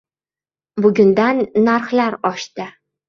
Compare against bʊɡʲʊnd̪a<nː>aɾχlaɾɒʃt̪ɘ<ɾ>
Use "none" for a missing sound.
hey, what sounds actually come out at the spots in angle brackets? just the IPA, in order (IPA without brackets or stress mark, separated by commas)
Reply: nː, none